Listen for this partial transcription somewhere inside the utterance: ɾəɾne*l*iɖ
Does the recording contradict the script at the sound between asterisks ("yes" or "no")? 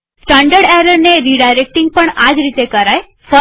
yes